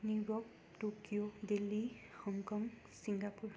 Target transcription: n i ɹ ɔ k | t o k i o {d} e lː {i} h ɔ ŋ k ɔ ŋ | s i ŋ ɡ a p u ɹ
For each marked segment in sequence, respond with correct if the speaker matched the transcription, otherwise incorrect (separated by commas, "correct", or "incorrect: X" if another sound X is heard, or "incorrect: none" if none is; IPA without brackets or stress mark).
correct, correct